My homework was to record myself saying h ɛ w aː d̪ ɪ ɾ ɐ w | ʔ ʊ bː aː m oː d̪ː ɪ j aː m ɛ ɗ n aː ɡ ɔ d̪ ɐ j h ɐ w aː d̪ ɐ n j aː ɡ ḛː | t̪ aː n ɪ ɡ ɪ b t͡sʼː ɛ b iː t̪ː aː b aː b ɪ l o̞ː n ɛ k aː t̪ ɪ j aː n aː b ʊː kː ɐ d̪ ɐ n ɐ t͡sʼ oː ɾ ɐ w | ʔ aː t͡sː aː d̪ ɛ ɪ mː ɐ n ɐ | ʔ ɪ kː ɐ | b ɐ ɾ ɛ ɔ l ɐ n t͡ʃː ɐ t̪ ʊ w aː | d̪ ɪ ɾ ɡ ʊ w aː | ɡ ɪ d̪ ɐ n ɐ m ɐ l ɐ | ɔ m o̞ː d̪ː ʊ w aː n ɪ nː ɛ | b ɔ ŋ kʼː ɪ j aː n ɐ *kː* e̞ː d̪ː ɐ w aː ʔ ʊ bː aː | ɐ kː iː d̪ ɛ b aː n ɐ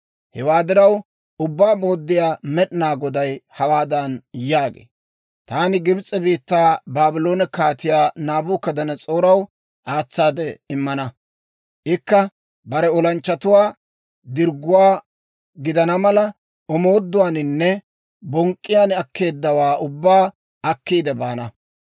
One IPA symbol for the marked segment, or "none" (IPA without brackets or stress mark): kː